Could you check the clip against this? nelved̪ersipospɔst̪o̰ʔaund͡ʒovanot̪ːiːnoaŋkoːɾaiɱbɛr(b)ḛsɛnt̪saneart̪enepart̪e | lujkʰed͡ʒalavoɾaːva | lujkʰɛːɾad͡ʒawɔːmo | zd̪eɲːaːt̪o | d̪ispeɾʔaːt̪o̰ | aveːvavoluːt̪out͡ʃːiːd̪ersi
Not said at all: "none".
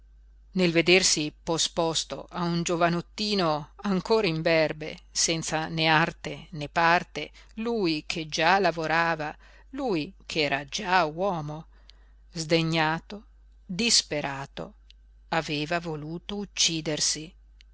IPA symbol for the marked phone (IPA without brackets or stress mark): b